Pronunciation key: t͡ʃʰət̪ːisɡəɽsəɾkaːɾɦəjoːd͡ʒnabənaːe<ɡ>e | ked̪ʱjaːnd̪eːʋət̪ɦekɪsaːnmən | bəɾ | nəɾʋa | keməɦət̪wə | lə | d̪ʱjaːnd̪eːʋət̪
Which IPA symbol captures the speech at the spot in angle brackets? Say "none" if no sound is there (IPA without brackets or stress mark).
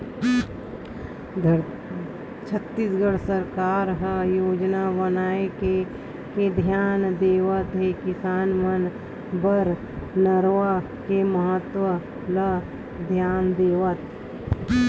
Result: k